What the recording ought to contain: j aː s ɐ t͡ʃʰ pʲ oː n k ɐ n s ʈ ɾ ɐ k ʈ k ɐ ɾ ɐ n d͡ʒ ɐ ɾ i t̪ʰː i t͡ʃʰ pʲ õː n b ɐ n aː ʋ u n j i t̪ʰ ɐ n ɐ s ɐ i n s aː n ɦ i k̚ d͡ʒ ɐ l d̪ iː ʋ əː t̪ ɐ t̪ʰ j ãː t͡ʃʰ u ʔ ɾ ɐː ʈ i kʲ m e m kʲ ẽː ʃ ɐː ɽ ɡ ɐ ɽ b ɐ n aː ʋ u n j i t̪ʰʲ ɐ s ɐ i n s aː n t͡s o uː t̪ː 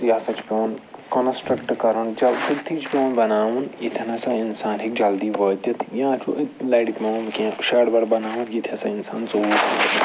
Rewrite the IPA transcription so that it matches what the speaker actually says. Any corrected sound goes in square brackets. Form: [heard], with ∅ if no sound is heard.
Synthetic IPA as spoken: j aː s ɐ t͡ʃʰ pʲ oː n k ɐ n s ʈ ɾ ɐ k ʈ k ɐ ɾ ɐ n d͡ʒ ɐ [l] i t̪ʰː i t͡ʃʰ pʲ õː n b ɐ n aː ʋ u n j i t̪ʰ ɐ n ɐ s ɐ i n s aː n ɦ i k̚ d͡ʒ ɐ l d̪ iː ʋ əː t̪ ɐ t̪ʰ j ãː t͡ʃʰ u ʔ [l] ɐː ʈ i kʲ m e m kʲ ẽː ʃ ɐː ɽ [b] ɐ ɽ b ɐ n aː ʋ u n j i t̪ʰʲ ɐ s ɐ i n s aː n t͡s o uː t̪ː